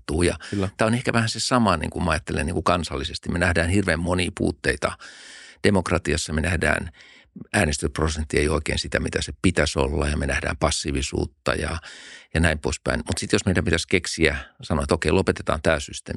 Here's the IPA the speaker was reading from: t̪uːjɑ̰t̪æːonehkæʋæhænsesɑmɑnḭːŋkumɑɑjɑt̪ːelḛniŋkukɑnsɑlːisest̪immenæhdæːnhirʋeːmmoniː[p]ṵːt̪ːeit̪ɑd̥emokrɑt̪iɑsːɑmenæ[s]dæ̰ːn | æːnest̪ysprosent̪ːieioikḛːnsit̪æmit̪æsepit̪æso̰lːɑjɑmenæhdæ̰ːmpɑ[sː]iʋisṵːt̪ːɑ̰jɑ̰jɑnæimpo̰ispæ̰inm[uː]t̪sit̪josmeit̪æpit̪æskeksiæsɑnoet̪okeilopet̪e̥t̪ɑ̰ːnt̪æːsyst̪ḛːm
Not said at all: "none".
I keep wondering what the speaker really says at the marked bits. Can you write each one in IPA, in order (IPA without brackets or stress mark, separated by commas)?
p, h, sː, u